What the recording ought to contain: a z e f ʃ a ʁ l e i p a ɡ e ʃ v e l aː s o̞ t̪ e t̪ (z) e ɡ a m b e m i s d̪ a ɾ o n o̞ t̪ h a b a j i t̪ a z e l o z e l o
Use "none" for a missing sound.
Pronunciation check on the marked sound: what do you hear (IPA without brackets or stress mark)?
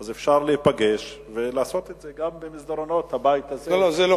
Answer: z